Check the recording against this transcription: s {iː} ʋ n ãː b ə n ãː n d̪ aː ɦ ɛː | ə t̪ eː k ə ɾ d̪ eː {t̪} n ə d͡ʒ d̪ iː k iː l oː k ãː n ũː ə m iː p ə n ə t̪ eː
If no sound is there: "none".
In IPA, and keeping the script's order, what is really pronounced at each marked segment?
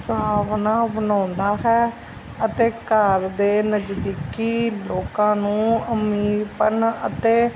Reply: aː, none

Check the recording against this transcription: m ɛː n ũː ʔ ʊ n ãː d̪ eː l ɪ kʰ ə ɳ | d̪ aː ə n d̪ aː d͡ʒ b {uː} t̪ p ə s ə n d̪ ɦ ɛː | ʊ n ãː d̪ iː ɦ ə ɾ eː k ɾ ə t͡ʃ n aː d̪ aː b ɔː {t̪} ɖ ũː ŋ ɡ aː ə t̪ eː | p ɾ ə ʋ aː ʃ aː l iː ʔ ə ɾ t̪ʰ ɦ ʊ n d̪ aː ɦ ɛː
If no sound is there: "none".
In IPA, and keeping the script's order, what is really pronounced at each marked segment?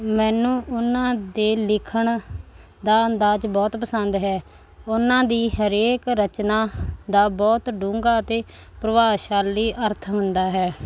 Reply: ɔː, t̪

